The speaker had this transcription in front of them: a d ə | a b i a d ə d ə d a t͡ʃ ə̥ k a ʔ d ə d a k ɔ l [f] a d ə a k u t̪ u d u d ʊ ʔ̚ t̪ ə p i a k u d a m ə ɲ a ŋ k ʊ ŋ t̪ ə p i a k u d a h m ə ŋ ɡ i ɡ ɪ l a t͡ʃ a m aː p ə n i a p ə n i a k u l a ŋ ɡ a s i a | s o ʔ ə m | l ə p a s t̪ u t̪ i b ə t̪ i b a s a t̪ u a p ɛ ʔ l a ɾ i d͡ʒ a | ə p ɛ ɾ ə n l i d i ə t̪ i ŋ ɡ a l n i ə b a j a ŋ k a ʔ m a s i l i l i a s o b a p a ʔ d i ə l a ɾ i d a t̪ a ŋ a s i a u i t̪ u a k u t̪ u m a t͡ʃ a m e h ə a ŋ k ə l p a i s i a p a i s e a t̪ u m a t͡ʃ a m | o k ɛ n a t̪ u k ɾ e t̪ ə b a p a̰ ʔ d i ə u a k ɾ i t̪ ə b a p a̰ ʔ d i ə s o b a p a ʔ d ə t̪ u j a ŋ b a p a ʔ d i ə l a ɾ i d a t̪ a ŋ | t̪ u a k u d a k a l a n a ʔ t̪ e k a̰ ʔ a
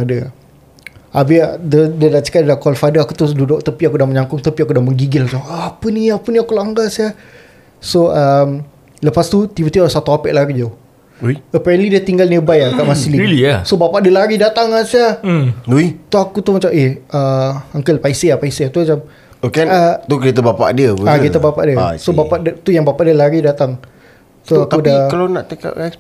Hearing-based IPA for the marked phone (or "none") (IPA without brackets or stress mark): f